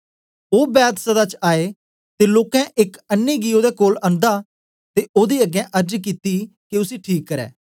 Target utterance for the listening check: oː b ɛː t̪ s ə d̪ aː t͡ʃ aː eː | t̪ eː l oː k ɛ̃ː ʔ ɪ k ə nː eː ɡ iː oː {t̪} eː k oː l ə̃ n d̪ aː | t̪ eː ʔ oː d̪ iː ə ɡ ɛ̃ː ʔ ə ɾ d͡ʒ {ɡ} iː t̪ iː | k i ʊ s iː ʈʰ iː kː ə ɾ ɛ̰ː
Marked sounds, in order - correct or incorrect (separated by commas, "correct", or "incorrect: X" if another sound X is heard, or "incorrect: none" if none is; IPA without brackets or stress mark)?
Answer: incorrect: d̪, incorrect: k